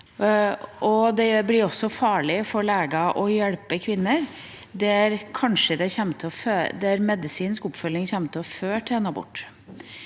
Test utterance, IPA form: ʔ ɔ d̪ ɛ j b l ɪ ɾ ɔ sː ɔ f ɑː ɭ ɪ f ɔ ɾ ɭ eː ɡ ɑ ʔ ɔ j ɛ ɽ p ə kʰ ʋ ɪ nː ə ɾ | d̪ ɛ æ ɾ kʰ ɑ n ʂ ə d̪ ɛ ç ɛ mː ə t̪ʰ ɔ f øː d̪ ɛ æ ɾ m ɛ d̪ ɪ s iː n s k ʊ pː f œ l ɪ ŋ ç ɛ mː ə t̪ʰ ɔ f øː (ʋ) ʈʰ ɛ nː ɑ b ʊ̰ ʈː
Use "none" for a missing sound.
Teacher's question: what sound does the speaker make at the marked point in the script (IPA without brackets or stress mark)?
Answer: none